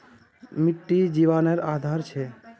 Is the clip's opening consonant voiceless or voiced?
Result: voiced